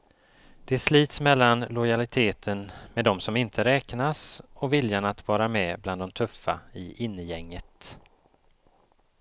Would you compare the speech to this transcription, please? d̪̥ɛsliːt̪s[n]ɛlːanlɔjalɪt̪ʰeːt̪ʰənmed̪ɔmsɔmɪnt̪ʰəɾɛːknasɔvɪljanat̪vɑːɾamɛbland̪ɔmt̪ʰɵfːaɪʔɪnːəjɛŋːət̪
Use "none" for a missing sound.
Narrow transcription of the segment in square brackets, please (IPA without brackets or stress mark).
m